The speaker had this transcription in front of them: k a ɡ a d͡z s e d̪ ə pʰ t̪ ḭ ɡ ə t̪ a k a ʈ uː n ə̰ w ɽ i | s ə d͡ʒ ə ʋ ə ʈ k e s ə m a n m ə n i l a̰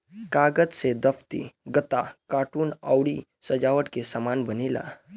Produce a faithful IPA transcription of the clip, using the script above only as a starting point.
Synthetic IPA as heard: k a ɡ ə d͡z s e d̪ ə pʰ t̪ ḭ ɡ ə t̪ a k a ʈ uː n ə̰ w ɽ i | s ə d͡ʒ a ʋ ə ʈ k e s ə m a n b ə n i l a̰